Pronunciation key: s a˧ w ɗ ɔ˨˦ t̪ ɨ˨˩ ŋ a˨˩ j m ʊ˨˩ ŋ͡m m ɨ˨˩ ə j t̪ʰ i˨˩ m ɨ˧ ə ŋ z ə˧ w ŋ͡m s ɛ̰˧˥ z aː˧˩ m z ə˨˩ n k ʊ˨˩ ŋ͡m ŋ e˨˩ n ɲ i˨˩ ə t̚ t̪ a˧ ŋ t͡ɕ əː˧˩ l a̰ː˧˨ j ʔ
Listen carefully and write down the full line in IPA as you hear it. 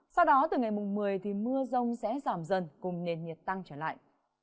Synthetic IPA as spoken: s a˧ w ɗ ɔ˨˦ t̪ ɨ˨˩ ŋ a˨˩ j m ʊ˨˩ ŋ͡m m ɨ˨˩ ə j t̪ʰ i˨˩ m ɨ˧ ə z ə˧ w ŋ͡m s ɛ̰˧˥ z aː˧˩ m z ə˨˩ n k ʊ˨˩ ŋ͡m n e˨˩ n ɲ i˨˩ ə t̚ t̪ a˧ ŋ t͡ɕ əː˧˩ l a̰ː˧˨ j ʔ